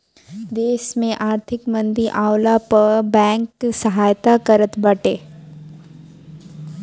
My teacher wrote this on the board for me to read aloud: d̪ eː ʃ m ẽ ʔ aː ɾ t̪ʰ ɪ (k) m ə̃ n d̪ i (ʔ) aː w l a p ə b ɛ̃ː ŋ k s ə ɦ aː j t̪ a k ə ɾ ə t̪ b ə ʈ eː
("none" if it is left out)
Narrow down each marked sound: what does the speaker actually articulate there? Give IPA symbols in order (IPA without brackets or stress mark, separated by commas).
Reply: k, ʔ